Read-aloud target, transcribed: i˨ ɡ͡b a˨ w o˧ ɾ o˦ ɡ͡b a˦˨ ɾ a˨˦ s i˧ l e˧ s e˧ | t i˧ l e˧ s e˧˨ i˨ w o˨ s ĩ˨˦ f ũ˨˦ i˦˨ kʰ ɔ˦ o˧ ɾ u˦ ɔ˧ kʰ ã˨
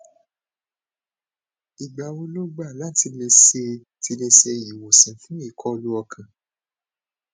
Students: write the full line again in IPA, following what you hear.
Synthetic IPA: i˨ ɡ͡b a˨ w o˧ l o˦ ɡ͡b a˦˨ l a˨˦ t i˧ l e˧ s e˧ | t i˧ l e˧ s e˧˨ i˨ w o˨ s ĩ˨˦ f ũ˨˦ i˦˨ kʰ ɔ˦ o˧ l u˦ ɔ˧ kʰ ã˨